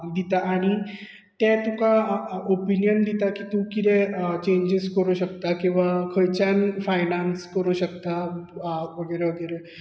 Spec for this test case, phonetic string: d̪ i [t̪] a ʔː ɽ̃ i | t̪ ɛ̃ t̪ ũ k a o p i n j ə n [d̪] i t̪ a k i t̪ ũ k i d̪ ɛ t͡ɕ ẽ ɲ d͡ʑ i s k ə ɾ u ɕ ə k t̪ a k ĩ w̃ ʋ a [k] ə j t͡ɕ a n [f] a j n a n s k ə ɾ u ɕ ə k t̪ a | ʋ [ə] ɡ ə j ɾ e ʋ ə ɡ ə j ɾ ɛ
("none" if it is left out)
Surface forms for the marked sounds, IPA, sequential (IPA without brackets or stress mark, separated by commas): t̪, d̪, kʰ, f, ə